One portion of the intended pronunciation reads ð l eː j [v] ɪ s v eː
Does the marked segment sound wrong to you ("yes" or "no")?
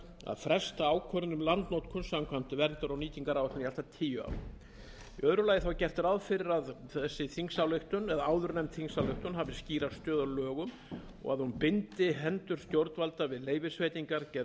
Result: no